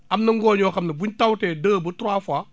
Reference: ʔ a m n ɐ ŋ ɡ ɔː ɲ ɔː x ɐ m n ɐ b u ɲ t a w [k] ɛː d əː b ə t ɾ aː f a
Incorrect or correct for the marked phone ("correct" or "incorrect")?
incorrect